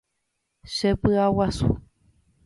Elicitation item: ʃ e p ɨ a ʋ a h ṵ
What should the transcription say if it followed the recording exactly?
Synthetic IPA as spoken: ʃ e p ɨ a w a s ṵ